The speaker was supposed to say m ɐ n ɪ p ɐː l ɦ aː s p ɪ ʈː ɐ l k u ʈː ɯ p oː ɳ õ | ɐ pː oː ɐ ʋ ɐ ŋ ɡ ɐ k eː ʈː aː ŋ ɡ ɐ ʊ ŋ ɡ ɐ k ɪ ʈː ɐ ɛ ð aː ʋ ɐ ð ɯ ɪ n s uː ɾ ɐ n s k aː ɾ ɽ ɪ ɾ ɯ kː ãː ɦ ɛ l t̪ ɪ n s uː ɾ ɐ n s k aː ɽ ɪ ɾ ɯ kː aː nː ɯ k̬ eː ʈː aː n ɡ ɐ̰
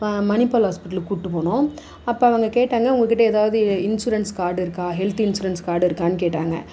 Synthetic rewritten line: m ɐ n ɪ p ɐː l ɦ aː s p ɪ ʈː ɐ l k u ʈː ɯ p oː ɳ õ | ɐ pː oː ɐ ʋ ɐ ŋ ɡ ɐ k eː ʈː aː ŋ ɡ ɐ ʊ ŋ ɡ ɐ k ɪ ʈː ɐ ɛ ð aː ʋ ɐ ð ɯ ɪ n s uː ɾ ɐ n s k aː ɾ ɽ ɪ ɾ ɯ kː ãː ɦ ɛ l t̪ ɪ n s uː ɾ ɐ n s k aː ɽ ɪ ɾ ɯ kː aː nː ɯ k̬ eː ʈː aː ŋ ɡ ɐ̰